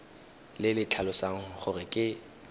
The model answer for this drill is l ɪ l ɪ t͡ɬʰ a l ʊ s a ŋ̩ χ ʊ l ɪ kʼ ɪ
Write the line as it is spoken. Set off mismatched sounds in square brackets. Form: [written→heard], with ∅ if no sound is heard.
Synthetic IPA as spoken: l ɪ l ɪ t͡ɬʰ a l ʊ s a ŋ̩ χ ʊ [l→r] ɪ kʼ ɪ